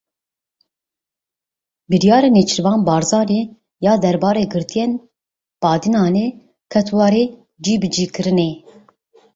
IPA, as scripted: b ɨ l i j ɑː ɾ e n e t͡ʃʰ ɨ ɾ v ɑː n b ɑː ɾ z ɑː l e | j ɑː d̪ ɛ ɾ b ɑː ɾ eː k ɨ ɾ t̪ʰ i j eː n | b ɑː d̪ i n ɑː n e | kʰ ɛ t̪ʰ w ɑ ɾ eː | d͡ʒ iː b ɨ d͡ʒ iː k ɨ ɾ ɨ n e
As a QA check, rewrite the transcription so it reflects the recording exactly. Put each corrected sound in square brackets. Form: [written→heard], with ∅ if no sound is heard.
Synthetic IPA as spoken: b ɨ [l→ɾ] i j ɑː ɾ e n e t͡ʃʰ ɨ ɾ v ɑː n b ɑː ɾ z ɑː [l→ɾ] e | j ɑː d̪ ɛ ɾ b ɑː ɾ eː [k→ɡ] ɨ ɾ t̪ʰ i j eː n | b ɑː d̪ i n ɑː n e | kʰ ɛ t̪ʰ w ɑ ɾ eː | d͡ʒ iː b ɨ d͡ʒ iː k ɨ ɾ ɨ n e